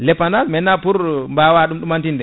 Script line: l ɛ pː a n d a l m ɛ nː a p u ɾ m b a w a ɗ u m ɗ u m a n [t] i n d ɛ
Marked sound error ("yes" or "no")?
no